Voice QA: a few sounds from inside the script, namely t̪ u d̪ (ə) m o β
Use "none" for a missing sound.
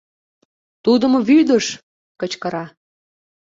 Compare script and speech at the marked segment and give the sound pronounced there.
ə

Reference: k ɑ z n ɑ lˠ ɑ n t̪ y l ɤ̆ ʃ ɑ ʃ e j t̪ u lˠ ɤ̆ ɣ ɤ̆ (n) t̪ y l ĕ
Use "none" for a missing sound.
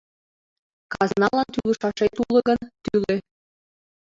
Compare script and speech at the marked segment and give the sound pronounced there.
n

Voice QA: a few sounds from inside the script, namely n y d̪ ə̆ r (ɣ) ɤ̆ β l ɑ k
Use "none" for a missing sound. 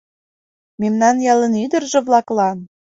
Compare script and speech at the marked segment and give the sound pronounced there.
ʒ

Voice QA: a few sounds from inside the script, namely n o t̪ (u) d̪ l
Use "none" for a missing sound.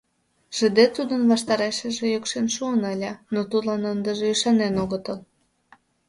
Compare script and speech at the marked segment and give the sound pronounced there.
u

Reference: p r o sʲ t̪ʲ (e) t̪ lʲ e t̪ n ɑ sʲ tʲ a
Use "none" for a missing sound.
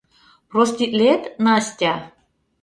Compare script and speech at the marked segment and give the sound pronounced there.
i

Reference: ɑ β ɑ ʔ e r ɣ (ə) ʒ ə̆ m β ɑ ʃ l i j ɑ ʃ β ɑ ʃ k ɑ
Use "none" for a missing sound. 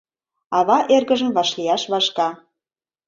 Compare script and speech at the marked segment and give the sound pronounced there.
ə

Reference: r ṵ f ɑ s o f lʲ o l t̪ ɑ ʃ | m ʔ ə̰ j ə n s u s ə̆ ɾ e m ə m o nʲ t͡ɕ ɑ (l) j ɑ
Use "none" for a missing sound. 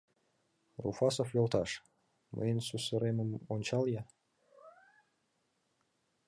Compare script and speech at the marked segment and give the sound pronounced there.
l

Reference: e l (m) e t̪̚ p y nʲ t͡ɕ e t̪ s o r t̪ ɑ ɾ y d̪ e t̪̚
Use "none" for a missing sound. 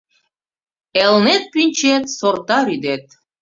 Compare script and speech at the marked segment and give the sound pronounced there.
n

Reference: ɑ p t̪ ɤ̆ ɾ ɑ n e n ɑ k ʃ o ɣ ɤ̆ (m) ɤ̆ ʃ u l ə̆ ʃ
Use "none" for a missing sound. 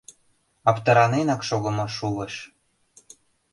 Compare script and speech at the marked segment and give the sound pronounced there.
m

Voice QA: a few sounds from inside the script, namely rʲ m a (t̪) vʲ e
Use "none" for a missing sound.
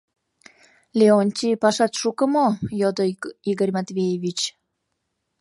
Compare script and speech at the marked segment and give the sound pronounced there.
t̪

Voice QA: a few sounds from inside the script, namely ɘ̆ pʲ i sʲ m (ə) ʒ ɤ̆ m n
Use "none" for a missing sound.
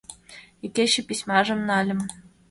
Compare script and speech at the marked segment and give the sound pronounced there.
ɑ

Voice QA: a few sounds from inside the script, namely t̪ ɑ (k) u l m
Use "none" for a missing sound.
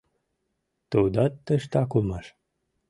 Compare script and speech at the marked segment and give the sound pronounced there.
k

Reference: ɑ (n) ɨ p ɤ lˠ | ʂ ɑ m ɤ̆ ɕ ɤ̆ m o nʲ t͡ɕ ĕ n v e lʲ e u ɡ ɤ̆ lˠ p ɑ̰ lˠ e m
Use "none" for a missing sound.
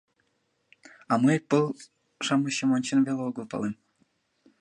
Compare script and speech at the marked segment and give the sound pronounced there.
m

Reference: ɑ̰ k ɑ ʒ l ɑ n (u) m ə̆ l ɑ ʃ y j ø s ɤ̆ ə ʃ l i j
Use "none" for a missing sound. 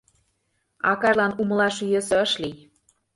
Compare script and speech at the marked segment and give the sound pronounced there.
u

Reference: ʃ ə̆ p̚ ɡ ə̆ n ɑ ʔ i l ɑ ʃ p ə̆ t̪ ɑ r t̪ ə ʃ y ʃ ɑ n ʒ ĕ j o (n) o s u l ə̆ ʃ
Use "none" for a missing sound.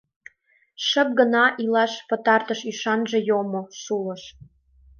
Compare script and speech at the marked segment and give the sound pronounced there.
m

